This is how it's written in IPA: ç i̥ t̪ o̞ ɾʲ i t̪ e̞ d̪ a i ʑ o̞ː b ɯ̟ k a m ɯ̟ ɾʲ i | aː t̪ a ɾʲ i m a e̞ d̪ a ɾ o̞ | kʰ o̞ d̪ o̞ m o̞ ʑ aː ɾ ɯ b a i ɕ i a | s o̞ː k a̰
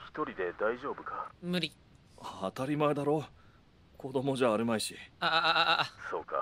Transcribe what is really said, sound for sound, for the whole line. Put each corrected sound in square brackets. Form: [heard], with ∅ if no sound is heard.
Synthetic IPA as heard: ç i̥ t̪ o̞ ɾʲ i [d̪] e̞ d̪ a i ʑ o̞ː b ɯ̟ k a m ɯ̟ ɾʲ i | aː t̪ a ɾʲ i m a e̞ d̪ a ɾ o̞ | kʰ o̞ d̪ o̞ m o̞ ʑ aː ɾ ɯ [m] a i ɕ i a | s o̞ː k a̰

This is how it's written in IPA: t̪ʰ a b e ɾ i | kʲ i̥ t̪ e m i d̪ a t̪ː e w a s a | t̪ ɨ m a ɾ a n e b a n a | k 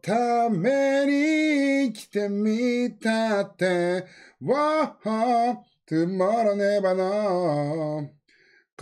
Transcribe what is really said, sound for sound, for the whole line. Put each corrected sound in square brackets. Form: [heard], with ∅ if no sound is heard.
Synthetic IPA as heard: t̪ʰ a [m] e ɾ i | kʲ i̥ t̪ e m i [t̪] a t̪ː e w a [h] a | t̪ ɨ m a ɾ a n e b a n a | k

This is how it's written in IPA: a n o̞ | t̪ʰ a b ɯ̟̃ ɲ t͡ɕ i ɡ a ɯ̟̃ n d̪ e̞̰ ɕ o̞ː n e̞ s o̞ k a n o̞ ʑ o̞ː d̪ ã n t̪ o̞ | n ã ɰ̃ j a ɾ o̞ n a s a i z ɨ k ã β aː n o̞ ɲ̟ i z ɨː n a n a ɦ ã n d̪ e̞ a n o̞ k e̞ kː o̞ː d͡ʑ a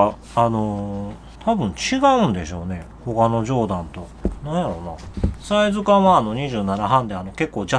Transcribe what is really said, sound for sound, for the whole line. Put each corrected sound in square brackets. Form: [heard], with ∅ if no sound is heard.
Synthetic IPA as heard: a n o̞ | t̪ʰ a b ɯ̟̃ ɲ t͡ɕ i ɡ a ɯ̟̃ n d̪ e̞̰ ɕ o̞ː n e̞ [h] o̞ k a n o̞ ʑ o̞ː d̪ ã n t̪ o̞ | n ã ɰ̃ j a ɾ o̞ n a s a i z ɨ k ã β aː n o̞ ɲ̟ i [ʑ] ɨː n a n a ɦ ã n d̪ e̞ a n o̞ k e̞ kː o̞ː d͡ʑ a

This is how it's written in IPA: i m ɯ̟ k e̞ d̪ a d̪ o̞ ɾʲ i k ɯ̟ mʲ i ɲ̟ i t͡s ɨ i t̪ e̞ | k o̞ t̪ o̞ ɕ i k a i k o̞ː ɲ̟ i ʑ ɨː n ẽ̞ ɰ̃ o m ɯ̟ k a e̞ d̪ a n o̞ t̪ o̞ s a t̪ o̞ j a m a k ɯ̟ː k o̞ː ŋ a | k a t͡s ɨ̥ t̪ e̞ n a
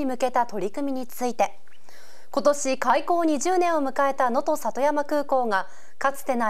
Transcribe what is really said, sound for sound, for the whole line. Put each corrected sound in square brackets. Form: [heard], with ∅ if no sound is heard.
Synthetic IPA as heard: i m ɯ̟ k e̞ [t̪] a [t̪] o̞ ɾʲ i k ɯ̟ mʲ i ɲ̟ i t͡s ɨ i t̪ e̞ | k o̞ t̪ o̞ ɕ i k a i k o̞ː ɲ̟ i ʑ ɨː n ẽ̞ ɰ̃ o m ɯ̟ k a e̞ [t̪] a n o̞ t̪ o̞ s a t̪ o̞ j a m a k ɯ̟ː k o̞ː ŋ a | k a t͡s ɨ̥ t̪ e̞ n a

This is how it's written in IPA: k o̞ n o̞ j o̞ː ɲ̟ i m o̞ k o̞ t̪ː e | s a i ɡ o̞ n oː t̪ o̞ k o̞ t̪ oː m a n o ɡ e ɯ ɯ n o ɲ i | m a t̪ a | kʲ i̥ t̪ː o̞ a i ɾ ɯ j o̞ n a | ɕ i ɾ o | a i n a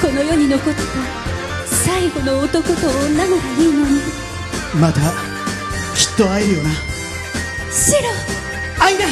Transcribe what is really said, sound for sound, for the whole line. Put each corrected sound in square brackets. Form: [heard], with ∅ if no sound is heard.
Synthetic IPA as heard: k o̞ n o̞ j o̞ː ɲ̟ i [n] o̞ k o̞ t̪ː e | s a i ɡ o̞ n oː t̪ o̞ k o̞ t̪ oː [n] a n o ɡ [a] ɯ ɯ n o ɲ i | m a t̪ a | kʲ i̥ t̪ː o̞ a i ɾ ɯ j o̞ n a | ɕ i ɾ o | a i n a

